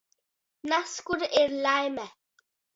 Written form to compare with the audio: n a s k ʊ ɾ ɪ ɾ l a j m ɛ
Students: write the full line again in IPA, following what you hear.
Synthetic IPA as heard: n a s k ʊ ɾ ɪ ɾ l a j m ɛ